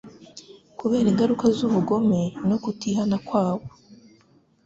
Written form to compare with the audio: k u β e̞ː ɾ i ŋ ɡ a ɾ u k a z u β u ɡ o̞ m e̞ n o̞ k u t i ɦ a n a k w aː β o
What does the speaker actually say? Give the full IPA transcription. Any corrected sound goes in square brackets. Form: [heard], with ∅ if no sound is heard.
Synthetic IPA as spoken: k u β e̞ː ɾ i ŋ ɡ a ɾ u k a z u β u ɡ o̞ m e̞ n o̞ k u t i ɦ a n a k w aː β o